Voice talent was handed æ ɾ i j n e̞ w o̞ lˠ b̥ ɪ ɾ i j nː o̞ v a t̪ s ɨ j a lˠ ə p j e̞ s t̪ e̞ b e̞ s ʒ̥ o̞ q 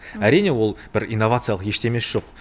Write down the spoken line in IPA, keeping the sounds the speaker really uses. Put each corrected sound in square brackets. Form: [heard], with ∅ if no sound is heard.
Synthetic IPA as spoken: æ ɾ i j n e̞ w o̞ lˠ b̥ ɪ ɾ i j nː o̞ v a t̪ s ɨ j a lˠ ə [q] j e̞ [ʃ] t̪ e̞ [m] e̞ s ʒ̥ o̞ q